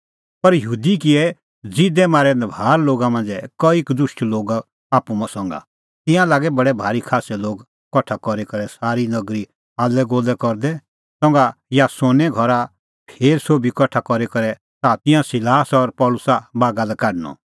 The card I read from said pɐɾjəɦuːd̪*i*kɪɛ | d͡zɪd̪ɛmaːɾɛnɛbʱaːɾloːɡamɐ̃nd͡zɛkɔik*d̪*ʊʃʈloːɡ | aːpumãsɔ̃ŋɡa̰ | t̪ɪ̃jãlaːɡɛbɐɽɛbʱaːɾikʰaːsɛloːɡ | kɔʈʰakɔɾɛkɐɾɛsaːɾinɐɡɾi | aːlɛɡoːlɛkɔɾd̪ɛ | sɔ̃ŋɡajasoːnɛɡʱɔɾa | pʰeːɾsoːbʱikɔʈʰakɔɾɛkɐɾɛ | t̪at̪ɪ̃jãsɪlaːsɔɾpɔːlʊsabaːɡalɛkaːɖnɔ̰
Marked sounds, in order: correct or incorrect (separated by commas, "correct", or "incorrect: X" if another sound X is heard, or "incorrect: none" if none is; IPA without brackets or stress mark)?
correct, correct